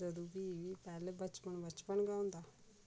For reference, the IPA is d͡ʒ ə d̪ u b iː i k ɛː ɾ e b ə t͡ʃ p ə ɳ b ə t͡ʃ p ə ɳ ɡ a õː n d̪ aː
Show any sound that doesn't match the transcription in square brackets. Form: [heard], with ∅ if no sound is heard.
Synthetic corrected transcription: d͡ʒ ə d̪ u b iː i [p] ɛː [l] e b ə t͡ʃ p ə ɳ b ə t͡ʃ p ə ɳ ɡ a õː n d̪ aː